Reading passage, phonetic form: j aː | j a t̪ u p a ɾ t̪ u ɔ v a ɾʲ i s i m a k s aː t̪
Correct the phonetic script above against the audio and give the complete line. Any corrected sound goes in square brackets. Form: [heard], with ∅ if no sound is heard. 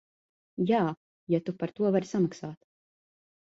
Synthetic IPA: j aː | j a t̪ u p a ɾ t̪ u ɔ v a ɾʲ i s [a] m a k s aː t̪